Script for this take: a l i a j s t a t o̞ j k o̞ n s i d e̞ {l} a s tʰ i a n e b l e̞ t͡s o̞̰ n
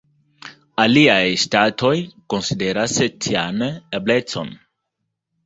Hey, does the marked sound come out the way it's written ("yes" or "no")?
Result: no